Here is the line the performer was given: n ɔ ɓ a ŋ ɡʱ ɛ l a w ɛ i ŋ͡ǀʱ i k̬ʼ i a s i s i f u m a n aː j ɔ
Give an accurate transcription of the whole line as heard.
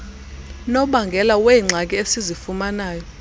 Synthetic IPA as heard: n ɔ ɓ a ŋ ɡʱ ɛ l a w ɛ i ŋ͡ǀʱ a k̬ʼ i e s i z i f u m a n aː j ɔ